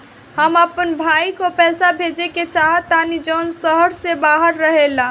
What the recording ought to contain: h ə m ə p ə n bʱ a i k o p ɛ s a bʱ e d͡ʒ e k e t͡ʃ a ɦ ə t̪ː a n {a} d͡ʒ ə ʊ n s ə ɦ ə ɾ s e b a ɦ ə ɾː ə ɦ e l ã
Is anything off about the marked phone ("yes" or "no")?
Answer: yes